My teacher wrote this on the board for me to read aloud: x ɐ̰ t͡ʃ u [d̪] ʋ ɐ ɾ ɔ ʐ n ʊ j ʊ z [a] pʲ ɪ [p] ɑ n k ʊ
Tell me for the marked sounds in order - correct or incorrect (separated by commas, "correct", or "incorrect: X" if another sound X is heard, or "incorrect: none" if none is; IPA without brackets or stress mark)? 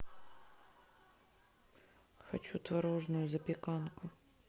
incorrect: t̪, incorrect: ɐ, incorrect: k